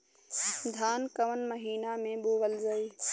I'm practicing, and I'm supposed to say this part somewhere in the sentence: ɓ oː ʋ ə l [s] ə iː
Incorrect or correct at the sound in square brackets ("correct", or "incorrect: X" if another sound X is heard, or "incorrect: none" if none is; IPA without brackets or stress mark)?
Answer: incorrect: z